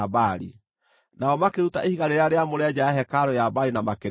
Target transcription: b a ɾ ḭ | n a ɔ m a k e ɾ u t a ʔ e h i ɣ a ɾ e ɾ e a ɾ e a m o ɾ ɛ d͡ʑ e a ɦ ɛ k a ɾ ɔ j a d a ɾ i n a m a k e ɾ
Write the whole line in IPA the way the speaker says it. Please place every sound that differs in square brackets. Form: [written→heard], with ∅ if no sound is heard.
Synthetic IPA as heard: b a ɾ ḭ | n a ɔ m a k e ɾ u t a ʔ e h i ɣ a ɾ e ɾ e a ɾ e a m o ɾ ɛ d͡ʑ [e→a] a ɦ ɛ k a ɾ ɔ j a [d→b] a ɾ i n a m a k e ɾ